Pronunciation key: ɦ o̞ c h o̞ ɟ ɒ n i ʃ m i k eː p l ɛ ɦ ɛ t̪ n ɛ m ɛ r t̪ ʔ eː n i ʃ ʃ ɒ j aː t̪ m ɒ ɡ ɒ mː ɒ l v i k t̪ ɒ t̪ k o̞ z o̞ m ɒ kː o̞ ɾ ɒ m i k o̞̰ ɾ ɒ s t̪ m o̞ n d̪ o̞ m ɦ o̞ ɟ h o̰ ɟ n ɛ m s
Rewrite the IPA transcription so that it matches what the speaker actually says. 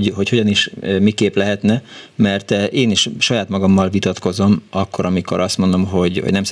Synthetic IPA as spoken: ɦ o̞ c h o̞ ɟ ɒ n i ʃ m i k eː p l ɛ ɦ ɛ t̪ n ɛ m ɛ r t̪ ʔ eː n i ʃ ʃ ɒ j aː t̪ m ɒ ɡ ɒ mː ɒ l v i t̪ ɒ t̪ k o̞ z o̞ m ɒ kː o̞ ɾ ɒ m i k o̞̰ ɾ ɒ s t̪ m o̞ n d̪ o̞ m ɦ o̞ ɟ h o̰ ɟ n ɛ m s